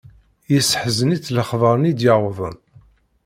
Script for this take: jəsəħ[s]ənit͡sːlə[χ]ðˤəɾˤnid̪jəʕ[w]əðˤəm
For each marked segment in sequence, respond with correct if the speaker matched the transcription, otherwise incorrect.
incorrect: z, correct, correct

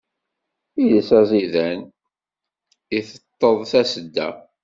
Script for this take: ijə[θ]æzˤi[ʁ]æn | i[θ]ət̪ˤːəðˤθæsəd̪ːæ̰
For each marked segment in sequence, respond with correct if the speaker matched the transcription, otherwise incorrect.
incorrect: s, incorrect: ð, correct

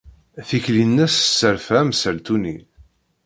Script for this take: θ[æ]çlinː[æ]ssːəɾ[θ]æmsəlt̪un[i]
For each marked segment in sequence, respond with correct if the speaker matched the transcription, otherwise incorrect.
incorrect: i, correct, incorrect: f, correct

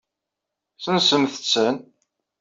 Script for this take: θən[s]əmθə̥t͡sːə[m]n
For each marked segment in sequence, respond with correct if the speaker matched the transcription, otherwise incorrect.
correct, incorrect: none

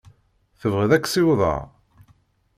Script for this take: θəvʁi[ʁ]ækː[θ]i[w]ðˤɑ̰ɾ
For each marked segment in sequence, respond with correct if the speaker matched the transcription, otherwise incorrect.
incorrect: ð, incorrect: s, correct

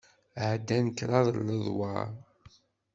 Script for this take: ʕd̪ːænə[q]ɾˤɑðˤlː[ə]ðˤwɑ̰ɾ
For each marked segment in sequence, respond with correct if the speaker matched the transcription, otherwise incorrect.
incorrect: k, correct

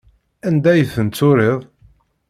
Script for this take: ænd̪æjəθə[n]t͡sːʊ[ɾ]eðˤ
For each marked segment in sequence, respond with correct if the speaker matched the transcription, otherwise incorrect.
correct, correct

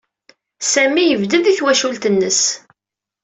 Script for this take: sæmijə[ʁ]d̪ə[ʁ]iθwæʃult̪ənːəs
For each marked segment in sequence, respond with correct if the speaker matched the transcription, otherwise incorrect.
incorrect: v, incorrect: ð

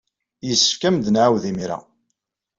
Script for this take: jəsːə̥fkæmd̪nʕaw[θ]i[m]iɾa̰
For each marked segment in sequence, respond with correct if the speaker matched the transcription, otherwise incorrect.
incorrect: ð, correct

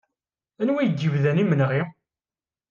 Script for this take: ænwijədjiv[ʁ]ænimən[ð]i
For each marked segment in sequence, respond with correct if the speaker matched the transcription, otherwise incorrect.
incorrect: ð, incorrect: ʁ

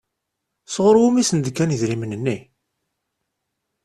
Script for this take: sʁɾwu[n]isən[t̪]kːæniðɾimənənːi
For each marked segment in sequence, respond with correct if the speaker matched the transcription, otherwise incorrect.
incorrect: m, incorrect: d̪

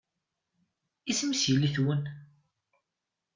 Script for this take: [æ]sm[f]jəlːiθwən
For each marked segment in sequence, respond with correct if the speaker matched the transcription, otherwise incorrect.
incorrect: i, incorrect: s

